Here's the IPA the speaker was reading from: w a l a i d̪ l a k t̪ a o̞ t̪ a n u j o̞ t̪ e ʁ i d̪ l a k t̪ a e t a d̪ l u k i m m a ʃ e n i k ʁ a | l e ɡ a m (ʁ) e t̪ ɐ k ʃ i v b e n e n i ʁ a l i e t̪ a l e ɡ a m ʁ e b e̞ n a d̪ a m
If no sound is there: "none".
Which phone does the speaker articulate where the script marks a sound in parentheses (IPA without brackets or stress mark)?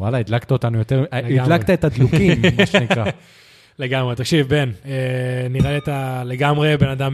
ʁ